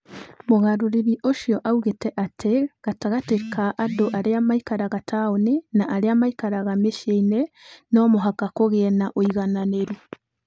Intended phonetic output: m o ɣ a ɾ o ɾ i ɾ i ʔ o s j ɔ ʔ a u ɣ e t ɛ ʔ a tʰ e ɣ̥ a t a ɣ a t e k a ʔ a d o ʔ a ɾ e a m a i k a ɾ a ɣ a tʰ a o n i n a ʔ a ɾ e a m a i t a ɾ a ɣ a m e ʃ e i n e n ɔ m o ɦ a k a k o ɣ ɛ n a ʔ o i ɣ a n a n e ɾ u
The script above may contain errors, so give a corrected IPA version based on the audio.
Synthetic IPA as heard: m o ɣ a ɾ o ɾ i ɾ i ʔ o ʃ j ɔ ʔ a u ɣ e t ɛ ʔ a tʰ e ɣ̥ a t a ɣ a t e k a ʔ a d o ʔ a ɾ e a m a i k a ɾ a ɣ a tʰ a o n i n a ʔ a ɾ e a m a i k a ɾ a ɣ a m e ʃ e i n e n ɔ m o ɦ a k a k o ɣ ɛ n a ʔ o i ɣ a n a n e ɾ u